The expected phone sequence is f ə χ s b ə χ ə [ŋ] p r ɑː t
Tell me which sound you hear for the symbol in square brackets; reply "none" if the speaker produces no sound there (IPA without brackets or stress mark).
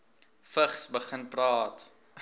n